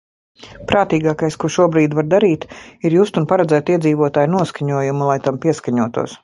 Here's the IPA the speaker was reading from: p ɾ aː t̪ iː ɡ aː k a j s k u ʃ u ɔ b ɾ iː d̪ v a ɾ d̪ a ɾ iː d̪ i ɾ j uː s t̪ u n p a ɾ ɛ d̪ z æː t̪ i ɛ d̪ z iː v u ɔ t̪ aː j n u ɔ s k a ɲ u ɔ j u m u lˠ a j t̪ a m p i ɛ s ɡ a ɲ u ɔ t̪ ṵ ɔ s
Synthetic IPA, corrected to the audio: p ɾ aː t̪ iː ɡ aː k a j s k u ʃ u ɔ b ɾ iː d̪ v a ɾ d̪ a ɾ iː t̪ i ɾ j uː s t̪ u n p a ɾ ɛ d̪ z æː t̪ i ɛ d̪ z iː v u ɔ t̪ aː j n u ɔ s k a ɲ u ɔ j u m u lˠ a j t̪ a m p i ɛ s k a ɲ u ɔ t̪ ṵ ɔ s